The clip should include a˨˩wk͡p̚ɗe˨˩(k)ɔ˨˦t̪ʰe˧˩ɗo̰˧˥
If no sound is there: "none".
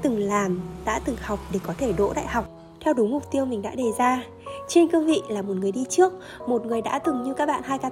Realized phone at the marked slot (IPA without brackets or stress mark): k